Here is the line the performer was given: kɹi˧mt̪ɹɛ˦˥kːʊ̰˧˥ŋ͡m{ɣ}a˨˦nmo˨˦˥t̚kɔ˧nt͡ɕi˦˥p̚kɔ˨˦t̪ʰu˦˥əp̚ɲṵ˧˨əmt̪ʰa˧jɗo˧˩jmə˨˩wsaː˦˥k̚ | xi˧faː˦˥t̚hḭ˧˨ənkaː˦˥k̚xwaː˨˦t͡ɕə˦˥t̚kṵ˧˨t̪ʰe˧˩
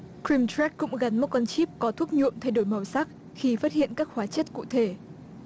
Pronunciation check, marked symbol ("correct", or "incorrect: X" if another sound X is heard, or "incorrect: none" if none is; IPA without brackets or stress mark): correct